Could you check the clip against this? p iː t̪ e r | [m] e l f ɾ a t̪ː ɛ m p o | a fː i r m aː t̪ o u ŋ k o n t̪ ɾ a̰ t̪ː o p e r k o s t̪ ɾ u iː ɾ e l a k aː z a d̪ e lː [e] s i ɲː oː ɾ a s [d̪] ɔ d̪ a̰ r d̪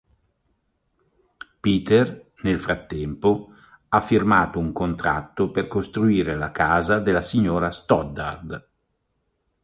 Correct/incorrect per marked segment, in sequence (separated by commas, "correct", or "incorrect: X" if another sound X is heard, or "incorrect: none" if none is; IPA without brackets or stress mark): incorrect: n, incorrect: a, incorrect: t̪